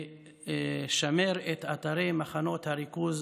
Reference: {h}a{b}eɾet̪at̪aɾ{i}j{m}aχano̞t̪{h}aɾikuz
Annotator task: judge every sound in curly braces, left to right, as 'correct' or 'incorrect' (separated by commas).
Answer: incorrect, incorrect, incorrect, correct, correct